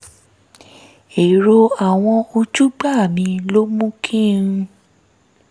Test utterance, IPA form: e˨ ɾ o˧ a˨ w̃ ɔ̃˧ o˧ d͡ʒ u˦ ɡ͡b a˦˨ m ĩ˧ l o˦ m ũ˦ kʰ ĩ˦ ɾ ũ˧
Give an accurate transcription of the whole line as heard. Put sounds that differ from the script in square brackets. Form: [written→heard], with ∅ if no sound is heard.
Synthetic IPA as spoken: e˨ ɾ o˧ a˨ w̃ ɔ̃˧ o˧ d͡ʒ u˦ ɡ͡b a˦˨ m ĩ˧ l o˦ m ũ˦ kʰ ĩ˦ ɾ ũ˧

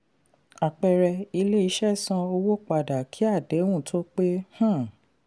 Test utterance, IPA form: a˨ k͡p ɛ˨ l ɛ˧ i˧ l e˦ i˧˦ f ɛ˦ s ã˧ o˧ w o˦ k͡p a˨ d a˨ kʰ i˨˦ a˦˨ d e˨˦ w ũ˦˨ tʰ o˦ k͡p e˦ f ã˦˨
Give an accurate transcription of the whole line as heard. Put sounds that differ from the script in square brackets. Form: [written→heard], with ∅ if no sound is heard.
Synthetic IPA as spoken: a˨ k͡p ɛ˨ [l→ɾ] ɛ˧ i˧ l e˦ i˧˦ [f→ʃ] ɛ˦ s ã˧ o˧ w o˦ k͡p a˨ d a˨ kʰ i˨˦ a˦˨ d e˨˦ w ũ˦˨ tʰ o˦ k͡p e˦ [f→h] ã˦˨

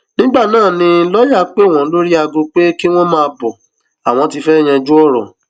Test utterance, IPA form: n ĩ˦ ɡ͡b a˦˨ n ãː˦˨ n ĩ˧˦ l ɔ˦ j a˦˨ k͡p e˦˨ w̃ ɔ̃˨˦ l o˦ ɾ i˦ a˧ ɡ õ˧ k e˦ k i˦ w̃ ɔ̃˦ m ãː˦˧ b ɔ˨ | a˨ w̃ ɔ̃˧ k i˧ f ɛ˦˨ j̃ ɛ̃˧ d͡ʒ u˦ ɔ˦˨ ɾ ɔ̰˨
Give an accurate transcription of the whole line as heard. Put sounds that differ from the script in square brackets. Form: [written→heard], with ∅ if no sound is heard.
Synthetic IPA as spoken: n ĩ˦ ɡ͡b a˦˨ n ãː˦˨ n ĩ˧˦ l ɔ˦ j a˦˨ k͡p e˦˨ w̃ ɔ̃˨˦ l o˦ ɾ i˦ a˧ ɡ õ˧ [k→k͡p] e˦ k i˦ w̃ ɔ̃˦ m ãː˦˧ b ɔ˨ | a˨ w̃ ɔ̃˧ [k→t] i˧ f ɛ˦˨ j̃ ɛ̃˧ d͡ʒ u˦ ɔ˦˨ ɾ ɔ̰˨

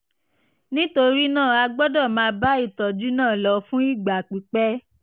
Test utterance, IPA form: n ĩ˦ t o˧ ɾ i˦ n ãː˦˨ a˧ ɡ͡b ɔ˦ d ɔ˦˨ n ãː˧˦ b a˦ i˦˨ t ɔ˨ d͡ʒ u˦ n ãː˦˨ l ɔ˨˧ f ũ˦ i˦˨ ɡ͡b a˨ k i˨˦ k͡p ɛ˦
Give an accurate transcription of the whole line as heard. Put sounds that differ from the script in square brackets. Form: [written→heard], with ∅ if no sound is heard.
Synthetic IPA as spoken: n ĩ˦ t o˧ ɾ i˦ n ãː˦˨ a˧ ɡ͡b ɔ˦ d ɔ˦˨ [n→m] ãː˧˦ b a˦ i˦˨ t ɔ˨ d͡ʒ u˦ n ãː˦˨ l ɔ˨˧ f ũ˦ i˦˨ ɡ͡b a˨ [k→k͡p] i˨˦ k͡p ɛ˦

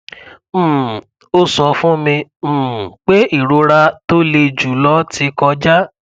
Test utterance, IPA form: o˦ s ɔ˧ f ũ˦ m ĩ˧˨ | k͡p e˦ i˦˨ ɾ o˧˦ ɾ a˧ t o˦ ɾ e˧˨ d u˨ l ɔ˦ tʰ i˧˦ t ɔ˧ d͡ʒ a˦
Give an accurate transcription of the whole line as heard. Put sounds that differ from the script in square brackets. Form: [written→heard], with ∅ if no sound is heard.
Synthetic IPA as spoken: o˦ s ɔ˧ f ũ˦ m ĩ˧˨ | k͡p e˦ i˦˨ ɾ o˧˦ ɾ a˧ t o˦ [ɾ→l] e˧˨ [d→d͡ʒ] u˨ l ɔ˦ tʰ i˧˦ [t→k] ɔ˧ d͡ʒ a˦

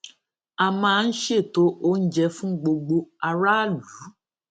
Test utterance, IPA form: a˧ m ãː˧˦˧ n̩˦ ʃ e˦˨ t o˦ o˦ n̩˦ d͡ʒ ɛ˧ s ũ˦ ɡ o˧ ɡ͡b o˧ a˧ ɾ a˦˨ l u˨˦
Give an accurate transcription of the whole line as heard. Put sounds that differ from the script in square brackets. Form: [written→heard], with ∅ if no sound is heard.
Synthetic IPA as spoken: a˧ m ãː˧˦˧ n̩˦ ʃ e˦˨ t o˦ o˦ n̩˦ d͡ʒ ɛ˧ [s→f] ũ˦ [ɡ→ɡ͡b] o˧ ɡ͡b o˧ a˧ ɾ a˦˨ l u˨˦

